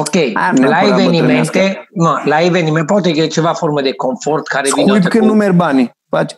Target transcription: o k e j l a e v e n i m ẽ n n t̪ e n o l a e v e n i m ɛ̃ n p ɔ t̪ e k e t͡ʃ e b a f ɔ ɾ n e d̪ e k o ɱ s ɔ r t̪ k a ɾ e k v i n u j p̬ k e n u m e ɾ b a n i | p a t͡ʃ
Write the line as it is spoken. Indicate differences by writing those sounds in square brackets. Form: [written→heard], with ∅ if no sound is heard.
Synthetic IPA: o k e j l a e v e n i m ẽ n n t̪ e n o l a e v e n i m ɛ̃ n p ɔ t̪ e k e t͡ʃ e [b→v] a f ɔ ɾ [n→m] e d̪ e k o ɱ [s→f] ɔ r t̪ k a ɾ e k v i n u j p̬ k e n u m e ɾ b a n i | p a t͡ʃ